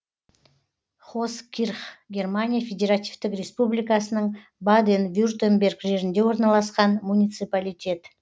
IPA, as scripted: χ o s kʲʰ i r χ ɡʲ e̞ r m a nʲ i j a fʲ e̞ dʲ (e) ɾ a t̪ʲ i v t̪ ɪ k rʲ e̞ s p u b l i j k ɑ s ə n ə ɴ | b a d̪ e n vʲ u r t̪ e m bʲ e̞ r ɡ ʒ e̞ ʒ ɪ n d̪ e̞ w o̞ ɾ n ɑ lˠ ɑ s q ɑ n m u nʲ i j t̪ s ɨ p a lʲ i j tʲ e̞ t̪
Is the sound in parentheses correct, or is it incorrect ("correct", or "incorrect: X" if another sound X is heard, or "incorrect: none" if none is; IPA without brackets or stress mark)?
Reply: correct